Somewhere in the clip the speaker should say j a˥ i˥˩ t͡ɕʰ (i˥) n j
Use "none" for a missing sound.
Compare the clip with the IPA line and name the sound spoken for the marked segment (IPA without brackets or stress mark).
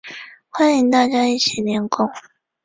i˨˩